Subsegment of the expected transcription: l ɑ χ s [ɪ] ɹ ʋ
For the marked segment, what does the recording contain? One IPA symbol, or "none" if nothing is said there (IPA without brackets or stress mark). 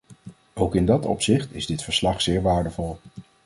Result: ɪː